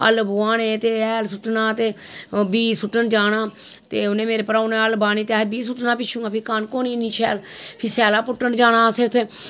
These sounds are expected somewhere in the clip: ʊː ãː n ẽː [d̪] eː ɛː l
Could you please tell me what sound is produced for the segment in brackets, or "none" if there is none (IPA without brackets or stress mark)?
t̪